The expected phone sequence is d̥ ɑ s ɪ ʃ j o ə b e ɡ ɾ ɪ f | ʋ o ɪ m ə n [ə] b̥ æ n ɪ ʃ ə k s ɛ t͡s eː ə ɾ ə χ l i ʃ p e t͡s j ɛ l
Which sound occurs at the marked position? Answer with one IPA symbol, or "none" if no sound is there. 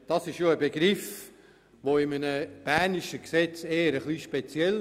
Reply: ə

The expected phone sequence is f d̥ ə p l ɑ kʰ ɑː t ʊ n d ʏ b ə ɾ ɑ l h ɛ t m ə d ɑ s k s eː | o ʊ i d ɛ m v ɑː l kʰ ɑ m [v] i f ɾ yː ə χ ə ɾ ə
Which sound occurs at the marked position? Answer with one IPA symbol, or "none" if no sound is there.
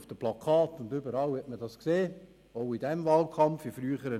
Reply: f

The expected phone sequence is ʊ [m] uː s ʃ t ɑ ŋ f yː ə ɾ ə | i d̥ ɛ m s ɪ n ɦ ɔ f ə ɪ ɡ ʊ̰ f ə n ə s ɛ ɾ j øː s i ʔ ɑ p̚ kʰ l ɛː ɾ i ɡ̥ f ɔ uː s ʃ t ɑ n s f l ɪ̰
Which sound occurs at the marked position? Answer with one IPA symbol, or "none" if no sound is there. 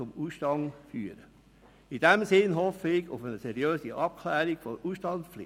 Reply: m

